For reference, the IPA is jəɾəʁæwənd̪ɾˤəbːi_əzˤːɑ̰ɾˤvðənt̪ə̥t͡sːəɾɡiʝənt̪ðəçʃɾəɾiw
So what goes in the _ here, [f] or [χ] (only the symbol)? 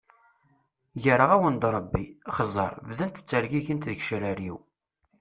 χ